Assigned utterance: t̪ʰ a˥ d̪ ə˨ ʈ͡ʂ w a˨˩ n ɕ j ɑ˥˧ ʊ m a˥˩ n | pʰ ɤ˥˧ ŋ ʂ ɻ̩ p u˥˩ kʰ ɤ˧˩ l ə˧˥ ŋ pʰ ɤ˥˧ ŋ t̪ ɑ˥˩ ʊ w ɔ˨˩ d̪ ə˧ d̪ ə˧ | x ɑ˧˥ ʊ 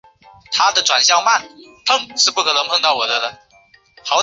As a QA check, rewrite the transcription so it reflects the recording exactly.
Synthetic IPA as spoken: t̪ʰ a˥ d̪ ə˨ ʈ͡ʂ w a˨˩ n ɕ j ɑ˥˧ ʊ m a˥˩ n | pʰ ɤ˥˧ ŋ ʂ ɻ̩ p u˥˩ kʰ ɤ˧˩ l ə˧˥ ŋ pʰ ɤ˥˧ ŋ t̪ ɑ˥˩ ʊ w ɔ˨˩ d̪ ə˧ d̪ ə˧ | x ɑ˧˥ ʊ